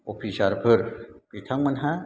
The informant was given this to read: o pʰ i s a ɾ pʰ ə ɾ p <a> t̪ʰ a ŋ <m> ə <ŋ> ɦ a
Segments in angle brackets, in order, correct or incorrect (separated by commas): incorrect, correct, incorrect